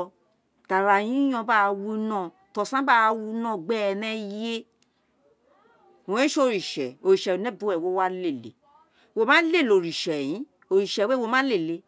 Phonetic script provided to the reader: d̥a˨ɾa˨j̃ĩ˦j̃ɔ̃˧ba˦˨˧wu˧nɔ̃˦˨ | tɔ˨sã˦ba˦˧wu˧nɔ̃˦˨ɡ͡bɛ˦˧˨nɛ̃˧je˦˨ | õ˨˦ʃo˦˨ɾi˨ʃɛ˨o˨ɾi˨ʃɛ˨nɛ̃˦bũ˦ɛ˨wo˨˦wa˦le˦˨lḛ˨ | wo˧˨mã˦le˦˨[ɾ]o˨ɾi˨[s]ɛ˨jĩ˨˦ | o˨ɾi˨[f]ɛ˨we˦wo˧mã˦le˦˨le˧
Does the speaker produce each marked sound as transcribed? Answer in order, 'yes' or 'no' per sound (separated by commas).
no, no, no